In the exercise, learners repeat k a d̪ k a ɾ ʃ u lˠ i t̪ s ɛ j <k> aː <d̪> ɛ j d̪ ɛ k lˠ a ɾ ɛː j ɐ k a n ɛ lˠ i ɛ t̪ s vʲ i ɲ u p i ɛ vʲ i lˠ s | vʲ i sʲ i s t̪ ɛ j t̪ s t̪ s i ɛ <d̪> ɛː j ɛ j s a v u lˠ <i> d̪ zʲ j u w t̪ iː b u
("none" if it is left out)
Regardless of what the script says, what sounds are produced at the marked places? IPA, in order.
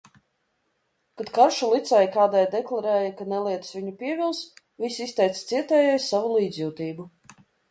k, d̪, t̪, iː

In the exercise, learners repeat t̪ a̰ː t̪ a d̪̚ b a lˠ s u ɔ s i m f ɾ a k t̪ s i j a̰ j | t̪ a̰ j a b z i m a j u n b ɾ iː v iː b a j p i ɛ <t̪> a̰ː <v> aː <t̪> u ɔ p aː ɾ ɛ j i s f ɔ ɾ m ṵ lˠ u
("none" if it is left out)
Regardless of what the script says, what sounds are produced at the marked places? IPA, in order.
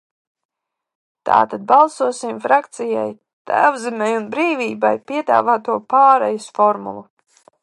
d̪, v, t̪

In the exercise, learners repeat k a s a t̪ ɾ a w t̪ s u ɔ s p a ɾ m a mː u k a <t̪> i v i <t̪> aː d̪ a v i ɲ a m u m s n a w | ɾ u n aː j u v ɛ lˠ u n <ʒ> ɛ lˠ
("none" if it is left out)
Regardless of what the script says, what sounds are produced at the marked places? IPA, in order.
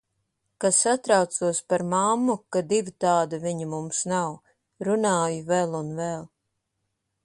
d̪, t̪, v

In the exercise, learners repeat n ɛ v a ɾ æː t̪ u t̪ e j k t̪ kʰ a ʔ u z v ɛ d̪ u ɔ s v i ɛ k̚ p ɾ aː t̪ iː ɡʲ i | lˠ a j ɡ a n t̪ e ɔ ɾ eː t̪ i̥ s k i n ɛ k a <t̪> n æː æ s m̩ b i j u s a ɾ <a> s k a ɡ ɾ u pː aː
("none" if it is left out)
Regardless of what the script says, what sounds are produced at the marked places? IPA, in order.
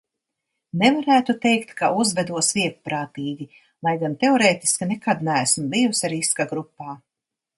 d̪, i

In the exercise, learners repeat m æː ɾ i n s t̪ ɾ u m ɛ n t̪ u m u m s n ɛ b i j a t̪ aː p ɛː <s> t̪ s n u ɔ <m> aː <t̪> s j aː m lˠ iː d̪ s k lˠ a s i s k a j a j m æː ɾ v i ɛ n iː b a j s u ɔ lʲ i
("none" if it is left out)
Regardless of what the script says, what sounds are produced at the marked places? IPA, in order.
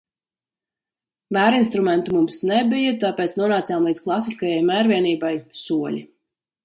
none, n, t̪

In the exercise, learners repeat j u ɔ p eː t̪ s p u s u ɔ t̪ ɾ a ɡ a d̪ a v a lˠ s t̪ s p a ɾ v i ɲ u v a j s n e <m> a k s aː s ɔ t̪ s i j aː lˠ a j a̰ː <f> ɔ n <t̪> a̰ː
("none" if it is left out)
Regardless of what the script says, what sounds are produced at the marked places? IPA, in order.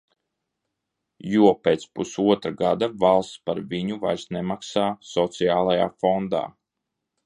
m, f, d̪

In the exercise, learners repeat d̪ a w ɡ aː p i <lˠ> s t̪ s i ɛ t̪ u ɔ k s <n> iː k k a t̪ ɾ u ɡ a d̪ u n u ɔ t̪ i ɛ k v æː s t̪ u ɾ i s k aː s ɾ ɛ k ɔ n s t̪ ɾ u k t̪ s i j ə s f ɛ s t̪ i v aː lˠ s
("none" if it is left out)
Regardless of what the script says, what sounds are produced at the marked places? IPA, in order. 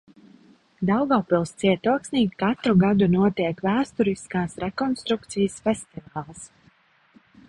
lˠ, n

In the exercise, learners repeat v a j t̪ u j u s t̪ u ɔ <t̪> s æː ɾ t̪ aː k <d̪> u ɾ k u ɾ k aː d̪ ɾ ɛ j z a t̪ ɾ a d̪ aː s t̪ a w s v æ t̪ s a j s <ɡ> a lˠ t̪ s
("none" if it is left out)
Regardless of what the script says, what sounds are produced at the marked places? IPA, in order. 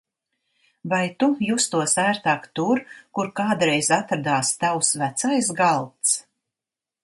none, t̪, ɡ

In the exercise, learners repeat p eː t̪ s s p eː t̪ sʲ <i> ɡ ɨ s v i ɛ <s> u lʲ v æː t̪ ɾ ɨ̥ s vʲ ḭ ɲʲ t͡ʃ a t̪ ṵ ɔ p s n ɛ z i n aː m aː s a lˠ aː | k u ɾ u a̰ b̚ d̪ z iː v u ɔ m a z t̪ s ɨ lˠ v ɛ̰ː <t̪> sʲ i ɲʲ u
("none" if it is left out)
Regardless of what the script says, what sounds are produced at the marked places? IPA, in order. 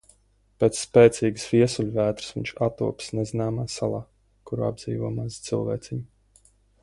iː, s, t̪

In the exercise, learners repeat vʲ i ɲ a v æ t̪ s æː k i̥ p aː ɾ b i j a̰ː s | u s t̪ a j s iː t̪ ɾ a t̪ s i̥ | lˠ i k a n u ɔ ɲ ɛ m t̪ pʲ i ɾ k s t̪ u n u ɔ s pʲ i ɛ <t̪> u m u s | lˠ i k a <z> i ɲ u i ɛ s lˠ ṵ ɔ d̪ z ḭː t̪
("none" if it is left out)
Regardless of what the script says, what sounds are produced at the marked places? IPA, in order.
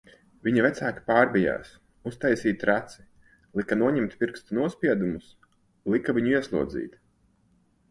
d̪, v

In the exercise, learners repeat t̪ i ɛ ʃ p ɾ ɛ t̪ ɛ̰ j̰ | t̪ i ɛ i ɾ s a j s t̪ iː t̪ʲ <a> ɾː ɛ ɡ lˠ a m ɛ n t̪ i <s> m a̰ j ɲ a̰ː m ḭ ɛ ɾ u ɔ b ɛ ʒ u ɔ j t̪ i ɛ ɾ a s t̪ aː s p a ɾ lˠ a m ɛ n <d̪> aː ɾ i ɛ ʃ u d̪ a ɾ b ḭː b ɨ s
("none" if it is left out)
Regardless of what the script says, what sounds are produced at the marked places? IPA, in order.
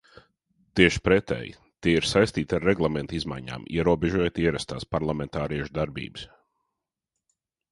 a, z, t̪

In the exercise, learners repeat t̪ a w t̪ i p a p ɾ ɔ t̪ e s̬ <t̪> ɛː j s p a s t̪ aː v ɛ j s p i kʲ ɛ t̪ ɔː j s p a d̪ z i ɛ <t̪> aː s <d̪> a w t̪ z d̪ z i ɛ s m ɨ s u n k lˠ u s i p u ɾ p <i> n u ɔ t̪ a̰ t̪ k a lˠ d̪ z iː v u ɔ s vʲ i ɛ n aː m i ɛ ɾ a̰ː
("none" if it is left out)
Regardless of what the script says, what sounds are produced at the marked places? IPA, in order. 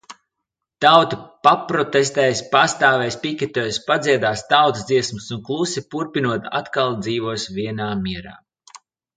t̪, d̪, t̪, i

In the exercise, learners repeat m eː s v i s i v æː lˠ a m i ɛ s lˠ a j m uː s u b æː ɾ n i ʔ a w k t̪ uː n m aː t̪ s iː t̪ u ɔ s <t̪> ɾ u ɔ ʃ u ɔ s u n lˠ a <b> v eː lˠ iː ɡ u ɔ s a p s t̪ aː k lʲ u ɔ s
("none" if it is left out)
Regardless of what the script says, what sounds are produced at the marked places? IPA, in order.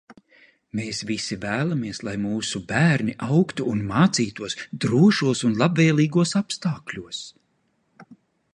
d̪, b

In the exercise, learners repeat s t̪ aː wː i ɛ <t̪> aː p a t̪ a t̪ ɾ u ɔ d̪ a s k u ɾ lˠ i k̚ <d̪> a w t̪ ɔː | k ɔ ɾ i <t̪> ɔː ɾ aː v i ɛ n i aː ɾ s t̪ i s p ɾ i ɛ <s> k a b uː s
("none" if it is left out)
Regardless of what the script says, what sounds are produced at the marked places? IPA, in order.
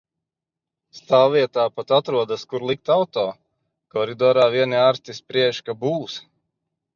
t̪, t̪, d̪, ʃ

